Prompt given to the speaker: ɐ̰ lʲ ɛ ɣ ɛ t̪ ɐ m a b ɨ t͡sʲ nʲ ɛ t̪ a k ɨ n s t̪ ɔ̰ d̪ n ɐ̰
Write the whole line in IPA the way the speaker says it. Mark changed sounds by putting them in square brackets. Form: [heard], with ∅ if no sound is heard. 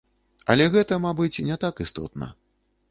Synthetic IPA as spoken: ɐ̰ lʲ ɛ ɣ ɛ t̪ ɐ m a b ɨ t͡sʲ nʲ ɛ t̪ a k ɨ [∅] s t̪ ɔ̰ [t̪] n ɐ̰

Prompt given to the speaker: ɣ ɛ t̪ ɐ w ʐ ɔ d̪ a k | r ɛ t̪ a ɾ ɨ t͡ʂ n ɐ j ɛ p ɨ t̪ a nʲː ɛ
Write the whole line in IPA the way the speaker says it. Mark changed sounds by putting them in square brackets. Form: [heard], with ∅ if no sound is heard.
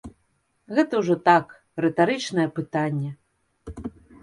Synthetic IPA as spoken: ɣ ɛ t̪ ɐ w ʐ ɔ [t̪] a k | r ɛ t̪ a ɾ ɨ t͡ʂ n ɐ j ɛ p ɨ t̪ a nʲː ɛ

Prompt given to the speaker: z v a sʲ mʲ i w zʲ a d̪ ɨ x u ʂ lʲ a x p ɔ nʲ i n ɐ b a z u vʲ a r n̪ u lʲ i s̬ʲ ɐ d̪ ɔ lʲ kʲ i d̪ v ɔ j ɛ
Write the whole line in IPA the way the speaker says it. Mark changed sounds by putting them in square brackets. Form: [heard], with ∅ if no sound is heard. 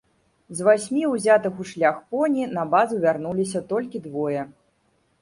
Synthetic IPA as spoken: z v a sʲ mʲ i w zʲ a [t̪] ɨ x u ʂ lʲ a x p ɔ nʲ i n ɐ b a z u vʲ a r n̪ u lʲ i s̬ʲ ɐ [t̪] ɔ lʲ kʲ i d̪ v ɔ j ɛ

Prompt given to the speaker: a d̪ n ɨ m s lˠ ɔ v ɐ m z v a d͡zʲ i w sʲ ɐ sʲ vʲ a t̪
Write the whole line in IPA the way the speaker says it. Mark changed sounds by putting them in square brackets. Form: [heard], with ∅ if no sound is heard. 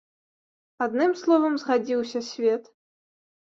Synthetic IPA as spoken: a d̪ n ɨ m s lˠ ɔ v ɐ m z [ɣ] a d͡zʲ i w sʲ ɐ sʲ vʲ [ɛ] t̪

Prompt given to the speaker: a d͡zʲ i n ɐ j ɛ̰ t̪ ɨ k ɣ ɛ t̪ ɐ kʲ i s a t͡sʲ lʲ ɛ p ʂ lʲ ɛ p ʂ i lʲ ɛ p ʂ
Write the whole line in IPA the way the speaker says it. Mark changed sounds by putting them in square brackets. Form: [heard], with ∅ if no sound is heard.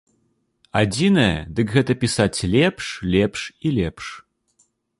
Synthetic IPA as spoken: a d͡zʲ i n ɐ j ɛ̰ [d̪] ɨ k ɣ ɛ t̪ ɐ [pʲ] i s a t͡sʲ lʲ ɛ p ʂ lʲ ɛ p ʂ i lʲ ɛ p ʂ

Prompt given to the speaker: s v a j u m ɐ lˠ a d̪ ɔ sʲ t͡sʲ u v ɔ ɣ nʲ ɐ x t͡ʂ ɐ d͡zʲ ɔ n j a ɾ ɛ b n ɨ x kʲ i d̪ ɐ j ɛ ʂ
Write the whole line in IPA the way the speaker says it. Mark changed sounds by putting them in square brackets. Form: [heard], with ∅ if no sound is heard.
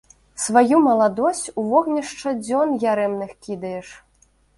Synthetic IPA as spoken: s v a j u m ɐ lˠ a d̪ ɔ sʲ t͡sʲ u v ɔ ɣ nʲ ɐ [ʂ] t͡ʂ ɐ d͡zʲ ɔ n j a ɾ ɛ [m] n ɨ x kʲ i d̪ ɐ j ɛ ʂ

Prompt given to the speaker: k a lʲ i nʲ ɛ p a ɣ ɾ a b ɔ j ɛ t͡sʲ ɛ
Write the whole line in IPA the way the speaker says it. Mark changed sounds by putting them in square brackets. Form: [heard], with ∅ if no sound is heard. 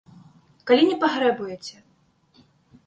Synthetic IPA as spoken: k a lʲ i nʲ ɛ p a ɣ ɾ [ɛ] b [u] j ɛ t͡sʲ ɛ

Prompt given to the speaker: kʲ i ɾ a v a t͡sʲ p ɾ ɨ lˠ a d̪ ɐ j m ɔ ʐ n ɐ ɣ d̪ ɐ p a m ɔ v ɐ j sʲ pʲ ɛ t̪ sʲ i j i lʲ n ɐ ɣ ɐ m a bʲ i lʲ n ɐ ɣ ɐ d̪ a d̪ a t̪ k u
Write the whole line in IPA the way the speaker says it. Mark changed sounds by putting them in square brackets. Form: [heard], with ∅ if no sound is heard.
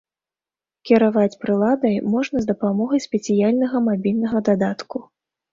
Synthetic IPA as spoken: kʲ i ɾ a v a t͡sʲ p ɾ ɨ lˠ a d̪ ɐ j m ɔ ʐ n ɐ [z] d̪ ɐ p a m ɔ [ɣ] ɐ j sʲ pʲ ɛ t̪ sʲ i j [a] lʲ n ɐ ɣ ɐ m a bʲ i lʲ n ɐ ɣ ɐ d̪ a d̪ a t̪ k u

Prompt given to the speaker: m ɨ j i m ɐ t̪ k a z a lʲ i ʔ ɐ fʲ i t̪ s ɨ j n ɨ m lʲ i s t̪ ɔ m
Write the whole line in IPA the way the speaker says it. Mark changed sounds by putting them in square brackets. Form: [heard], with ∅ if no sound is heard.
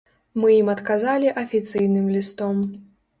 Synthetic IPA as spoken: m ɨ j i m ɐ t̪ k a z a lʲ i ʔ ɐ fʲ i t̪ s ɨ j n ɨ m lʲ i s t̪ ɔ m

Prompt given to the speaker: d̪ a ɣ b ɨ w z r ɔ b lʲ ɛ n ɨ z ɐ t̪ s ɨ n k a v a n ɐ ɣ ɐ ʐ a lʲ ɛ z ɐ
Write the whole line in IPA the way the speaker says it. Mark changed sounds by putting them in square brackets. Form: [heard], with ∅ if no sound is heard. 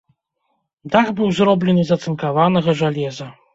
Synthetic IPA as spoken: d̪ a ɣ b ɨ w z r ɔ b lʲ ɛ n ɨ z ɐ t̪ s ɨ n k a v a n ɐ ɣ ɐ ʐ a lʲ ɛ z ɐ

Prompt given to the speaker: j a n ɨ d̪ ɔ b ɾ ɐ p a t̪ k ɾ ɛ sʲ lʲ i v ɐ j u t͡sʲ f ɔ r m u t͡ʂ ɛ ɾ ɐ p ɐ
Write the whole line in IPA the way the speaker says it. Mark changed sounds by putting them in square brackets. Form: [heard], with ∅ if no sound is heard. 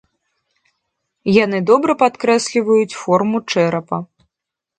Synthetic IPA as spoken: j a n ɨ d̪ ɔ b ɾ ɐ p a t̪ k ɾ ɛ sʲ lʲ i v ɐ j u t͡sʲ f ɔ r m u t͡ʂ ɛ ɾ ɐ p ɐ

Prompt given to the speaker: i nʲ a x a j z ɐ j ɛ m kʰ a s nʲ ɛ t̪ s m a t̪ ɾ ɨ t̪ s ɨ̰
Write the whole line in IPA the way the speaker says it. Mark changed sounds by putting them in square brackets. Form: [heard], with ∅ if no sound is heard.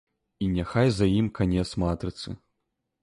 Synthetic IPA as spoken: i nʲ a x a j z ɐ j [i] m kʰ a [∅] nʲ ɛ t̪ s m a t̪ ɾ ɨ t̪ s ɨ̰

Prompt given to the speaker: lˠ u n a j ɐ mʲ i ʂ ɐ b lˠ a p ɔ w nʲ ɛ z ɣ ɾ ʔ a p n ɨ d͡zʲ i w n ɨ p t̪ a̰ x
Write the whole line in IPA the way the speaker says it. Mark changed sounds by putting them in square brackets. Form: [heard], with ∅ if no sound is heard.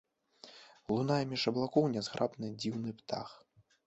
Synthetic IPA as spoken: lˠ u n a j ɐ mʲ i ʂ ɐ b lˠ a [k] ɔ w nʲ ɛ z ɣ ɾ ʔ a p n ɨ d͡zʲ i w n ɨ p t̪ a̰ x

